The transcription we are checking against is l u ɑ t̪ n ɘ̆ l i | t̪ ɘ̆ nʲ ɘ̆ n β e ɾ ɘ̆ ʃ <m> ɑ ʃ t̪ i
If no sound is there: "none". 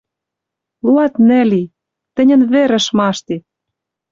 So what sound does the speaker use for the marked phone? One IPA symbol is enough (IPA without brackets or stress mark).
m